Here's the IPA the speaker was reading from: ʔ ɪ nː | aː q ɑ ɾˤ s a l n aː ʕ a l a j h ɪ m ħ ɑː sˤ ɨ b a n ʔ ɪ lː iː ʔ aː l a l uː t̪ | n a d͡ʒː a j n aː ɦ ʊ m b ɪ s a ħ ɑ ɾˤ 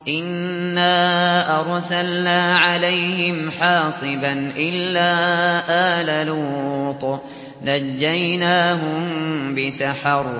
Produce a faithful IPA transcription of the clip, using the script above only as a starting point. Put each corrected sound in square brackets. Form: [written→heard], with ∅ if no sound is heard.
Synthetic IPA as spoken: ʔ ɪ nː | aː [q→ʔ] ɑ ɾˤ s a l n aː ʕ a l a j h ɪ m ħ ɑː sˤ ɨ b a n ʔ ɪ lː [iː→aː] ʔ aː l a l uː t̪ | n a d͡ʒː a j n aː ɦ ʊ m b ɪ s a ħ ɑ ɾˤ

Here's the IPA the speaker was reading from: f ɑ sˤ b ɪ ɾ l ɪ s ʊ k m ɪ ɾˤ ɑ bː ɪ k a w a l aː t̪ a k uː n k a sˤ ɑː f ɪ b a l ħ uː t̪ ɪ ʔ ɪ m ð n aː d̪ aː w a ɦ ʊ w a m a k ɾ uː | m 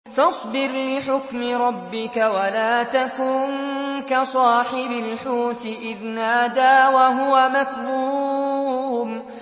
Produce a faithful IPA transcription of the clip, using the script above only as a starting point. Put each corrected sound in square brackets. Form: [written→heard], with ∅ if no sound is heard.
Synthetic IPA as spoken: f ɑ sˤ b ɪ ɾ l ɪ [s→ħ] ʊ k m ɪ ɾˤ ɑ bː ɪ k a w a l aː t̪ a k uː n k a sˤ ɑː [f→ħ] ɪ b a l ħ uː t̪ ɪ ʔ ɪ [m→∅] ð n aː d̪ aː w a ɦ ʊ w a m a k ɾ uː | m

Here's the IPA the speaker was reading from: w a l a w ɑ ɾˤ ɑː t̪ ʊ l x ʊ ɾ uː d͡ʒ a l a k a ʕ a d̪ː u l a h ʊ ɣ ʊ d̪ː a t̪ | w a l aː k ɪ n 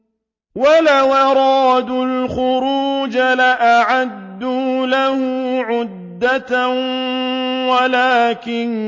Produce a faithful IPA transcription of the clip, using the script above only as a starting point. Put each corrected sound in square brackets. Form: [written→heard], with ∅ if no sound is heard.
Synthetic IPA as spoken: w a l a w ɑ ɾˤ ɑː [t̪→d̪] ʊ l x ʊ ɾ uː d͡ʒ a l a [k→ʔ] a ʕ a d̪ː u l a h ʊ [ɣ→ʕ] ʊ d̪ː a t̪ | w a l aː k ɪ n

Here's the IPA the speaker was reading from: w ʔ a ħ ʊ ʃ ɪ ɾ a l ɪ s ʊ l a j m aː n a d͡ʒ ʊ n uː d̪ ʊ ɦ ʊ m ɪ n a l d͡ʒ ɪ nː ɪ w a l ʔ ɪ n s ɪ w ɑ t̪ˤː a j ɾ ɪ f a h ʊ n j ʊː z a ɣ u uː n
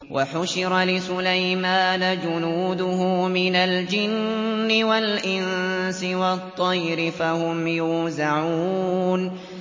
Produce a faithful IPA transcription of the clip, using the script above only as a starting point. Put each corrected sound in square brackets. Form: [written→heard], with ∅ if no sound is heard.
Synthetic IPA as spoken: w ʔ a ħ ʊ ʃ ɪ ɾ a l ɪ s ʊ l a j m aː n a d͡ʒ ʊ n uː d̪ ʊ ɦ ʊ m ɪ n a l d͡ʒ ɪ nː ɪ w a l ʔ ɪ n s ɪ w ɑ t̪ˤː [a→ɑ] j ɾ ɪ f a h ʊ [n→m] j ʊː z a [ɣ→ʕ] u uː n

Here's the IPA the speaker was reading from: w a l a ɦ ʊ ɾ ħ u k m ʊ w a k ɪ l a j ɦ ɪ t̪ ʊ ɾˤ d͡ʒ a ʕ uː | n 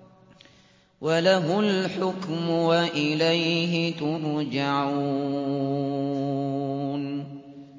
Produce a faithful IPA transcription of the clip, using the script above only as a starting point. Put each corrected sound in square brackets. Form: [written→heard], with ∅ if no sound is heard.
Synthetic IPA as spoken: w a l a ɦ ʊ [ɾ→l] ħ [u→ʊ] k m ʊ w a [k→ʔ] ɪ l a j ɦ ɪ t̪ ʊ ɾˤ d͡ʒ a ʕ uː | n

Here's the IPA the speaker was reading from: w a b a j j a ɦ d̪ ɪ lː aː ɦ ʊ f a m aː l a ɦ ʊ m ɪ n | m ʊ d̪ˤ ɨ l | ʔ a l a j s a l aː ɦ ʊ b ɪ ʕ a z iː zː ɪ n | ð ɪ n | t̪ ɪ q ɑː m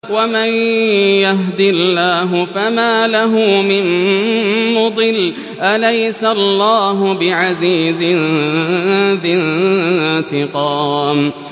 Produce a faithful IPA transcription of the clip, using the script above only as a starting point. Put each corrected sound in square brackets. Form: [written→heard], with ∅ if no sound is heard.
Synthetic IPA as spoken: w a [b→m] a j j a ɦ d̪ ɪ lː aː ɦ ʊ f a m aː l a ɦ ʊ m ɪ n | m ʊ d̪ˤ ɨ l | ʔ a l a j s a [l→lː] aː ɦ ʊ b ɪ ʕ a z iː [zː→z] ɪ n | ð ɪ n | t̪ ɪ q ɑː m

